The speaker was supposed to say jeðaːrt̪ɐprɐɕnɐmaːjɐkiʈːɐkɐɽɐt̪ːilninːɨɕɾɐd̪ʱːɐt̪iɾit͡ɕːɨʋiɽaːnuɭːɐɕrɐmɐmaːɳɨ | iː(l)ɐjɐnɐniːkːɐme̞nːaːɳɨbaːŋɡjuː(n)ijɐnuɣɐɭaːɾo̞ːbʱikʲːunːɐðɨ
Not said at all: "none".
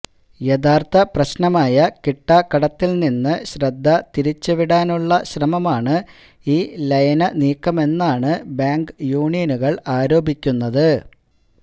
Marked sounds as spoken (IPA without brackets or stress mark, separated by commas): l, ɳ